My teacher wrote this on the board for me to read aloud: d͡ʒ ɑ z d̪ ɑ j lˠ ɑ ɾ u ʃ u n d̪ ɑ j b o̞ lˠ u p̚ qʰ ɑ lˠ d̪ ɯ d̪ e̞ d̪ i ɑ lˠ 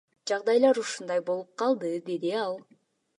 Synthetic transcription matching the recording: d͡ʒ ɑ ʁ d̪ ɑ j lˠ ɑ ɾ u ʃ u n d̪ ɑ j b o̞ lˠ u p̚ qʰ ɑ lˠ d̪ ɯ d̪ e̞ d̪ i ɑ lˠ